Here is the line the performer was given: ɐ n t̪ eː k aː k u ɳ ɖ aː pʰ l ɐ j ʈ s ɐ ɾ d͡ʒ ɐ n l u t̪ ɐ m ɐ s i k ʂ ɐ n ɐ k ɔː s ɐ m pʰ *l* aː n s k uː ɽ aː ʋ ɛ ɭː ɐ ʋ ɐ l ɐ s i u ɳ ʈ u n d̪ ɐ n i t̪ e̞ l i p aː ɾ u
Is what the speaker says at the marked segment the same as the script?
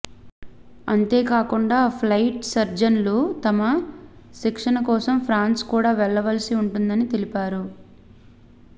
no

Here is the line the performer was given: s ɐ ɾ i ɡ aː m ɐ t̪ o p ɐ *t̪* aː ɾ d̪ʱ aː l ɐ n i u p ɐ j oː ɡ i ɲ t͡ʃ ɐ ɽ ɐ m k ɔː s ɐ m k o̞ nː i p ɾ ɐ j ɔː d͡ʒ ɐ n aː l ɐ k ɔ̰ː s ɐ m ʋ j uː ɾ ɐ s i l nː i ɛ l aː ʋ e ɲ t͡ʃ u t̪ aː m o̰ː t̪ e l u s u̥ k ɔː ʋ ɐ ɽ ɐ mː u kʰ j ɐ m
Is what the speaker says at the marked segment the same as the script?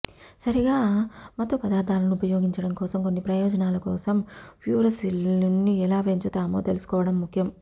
no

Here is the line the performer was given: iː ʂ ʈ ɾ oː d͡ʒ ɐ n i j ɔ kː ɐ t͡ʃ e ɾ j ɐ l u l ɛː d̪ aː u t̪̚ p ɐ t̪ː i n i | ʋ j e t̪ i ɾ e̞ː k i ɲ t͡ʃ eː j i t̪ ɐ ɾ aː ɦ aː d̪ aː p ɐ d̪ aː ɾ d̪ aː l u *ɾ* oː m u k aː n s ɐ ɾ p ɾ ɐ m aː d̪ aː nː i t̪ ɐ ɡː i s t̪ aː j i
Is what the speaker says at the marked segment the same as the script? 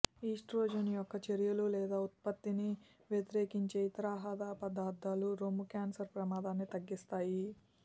yes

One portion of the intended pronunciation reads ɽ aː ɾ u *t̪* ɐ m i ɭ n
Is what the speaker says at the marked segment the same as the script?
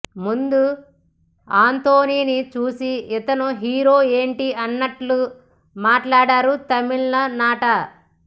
yes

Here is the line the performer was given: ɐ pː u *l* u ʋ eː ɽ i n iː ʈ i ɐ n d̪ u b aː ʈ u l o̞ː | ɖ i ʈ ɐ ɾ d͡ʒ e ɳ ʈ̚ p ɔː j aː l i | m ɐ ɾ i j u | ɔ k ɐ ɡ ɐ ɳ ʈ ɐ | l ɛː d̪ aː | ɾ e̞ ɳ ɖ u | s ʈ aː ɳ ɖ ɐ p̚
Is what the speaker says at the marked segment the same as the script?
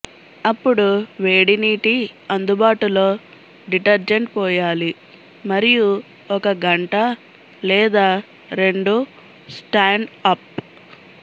no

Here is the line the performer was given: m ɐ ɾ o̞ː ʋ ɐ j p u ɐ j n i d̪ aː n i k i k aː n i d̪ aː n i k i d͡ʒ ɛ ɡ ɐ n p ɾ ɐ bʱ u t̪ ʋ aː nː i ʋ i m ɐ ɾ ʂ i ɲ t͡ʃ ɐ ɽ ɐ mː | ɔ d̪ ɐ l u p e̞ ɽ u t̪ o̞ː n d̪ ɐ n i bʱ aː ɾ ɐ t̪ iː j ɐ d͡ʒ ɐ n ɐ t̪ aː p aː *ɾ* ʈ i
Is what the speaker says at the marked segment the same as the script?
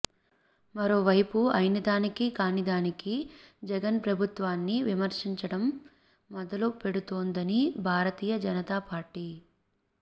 yes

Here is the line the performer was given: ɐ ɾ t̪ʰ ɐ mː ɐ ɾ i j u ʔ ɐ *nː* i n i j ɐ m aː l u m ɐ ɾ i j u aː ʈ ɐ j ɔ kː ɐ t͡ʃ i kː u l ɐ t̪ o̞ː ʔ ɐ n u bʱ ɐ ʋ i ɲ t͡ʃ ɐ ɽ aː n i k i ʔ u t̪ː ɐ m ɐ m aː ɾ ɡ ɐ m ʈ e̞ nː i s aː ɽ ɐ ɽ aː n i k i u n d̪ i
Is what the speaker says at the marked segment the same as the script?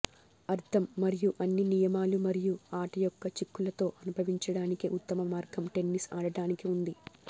yes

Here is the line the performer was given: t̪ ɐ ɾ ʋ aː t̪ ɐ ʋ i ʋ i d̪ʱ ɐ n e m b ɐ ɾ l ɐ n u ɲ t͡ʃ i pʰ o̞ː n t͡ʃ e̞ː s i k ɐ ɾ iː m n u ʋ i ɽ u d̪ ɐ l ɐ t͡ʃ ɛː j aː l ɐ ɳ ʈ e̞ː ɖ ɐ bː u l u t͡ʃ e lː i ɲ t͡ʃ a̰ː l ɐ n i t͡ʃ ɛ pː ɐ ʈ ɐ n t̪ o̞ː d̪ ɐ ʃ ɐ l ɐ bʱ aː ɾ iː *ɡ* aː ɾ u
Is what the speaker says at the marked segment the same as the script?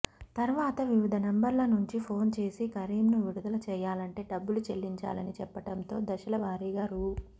yes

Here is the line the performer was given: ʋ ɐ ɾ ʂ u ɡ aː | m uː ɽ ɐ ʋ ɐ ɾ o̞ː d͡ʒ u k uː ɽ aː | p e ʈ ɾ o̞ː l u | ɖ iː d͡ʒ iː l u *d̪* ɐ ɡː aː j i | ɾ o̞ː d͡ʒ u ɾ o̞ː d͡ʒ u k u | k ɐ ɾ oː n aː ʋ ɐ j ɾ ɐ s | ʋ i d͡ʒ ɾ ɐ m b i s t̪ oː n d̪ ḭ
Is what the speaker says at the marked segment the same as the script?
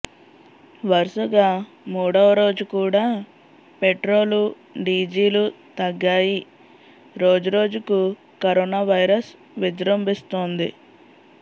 no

